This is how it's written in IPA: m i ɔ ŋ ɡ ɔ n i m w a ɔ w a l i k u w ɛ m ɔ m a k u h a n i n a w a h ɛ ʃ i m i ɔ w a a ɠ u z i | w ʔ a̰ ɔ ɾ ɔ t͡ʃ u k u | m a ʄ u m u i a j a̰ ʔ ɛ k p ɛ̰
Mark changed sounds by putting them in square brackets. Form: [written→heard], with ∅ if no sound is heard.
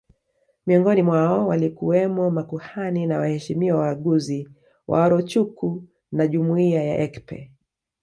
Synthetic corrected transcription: m i ɔ ŋ ɡ ɔ n i m w a ɔ w a l i k u w ɛ m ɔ m a k u h a n i n a w a h ɛ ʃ i m i ɔ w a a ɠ u z i | w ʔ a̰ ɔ ɾ ɔ t͡ʃ u k u | [m→n] a ʄ u m u i a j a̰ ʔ ɛ k p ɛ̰

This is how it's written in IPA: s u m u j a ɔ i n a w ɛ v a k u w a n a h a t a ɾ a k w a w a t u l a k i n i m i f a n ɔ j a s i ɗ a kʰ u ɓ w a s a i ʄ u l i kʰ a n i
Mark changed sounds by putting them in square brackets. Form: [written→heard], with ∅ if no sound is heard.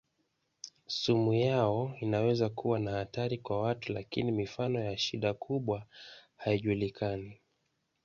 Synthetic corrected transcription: s u m u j a ɔ i n a w ɛ [v→z] a k u w a n a h a t a ɾ [a→i] k w a w a t u l a k i n i m i f a n ɔ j a [s→ʃ] i ɗ a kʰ u ɓ w a [s→h] a i ʄ u l i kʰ a n i

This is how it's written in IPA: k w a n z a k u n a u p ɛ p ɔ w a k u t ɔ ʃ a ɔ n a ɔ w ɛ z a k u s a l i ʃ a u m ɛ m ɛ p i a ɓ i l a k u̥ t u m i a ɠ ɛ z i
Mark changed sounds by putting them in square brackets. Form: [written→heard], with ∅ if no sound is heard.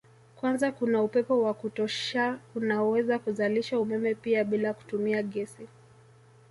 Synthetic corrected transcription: k w a n z a k u n a u p ɛ p ɔ w a k u t ɔ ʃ a [ɔ→u] n a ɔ w ɛ z a k u [s→z] a l i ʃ a u m ɛ m ɛ p i a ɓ i l a k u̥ t u m i a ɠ ɛ [z→s] i

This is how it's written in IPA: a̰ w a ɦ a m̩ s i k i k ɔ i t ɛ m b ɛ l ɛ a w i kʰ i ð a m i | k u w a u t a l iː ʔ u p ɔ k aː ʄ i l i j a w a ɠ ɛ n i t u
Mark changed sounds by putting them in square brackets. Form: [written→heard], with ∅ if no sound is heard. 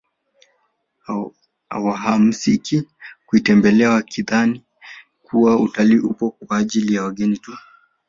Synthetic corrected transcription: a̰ w a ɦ a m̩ s i k i k [ɔ→u] i t ɛ m b ɛ l ɛ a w [i→a] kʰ i ð a [m→n] i | k u w a u t a l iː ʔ u p ɔ k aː ʄ i l i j a w a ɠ ɛ n i t u

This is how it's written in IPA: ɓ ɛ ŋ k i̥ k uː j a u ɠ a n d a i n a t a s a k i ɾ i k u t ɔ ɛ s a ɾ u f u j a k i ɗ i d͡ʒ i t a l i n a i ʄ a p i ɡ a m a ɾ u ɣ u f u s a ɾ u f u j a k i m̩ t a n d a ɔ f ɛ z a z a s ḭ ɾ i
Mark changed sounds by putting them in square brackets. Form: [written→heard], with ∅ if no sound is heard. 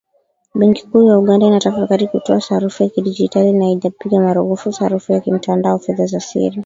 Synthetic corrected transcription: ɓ ɛ ŋ k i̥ k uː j a u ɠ a n d a i n a t a [s→f] a k [i→a] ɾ i k u t ɔ [ɛ→a] s a ɾ u f u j a k i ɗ i d͡ʒ i t a l i n a i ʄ a p i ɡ a m a ɾ u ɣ u f u s a ɾ u f u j a k i m̩ t a n d a ɔ f ɛ [z→ð] a z a s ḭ ɾ i

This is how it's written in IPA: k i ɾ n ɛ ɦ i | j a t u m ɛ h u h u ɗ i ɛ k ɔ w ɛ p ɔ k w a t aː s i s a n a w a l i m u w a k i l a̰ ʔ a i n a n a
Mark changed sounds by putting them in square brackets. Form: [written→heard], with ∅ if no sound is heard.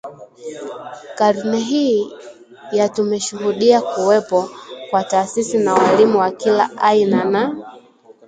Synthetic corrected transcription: k [i→a] ɾ n ɛ ɦ i | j a t u m ɛ [h→ʃ] u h u ɗ i [ɛ→a] k [ɔ→u] w ɛ p ɔ k w a t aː s i s [a→i] n a w a l i m u w a k i l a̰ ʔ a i n a n a

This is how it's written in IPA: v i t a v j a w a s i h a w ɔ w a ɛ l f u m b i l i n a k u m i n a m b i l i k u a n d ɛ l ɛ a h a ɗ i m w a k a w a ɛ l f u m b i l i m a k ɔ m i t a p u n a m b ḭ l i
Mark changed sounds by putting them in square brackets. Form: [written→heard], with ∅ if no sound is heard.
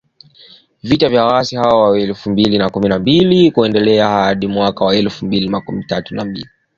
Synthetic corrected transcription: v i t a v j a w a s i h a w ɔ w a ɛ l f u m b i l i n a k u m i n a m b i l i k u [a→ɛ] n d ɛ l ɛ a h a ɗ i m w a k a w a ɛ l f u m b i l i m a k [ɔ→u] m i t a [p→t] u n a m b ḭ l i

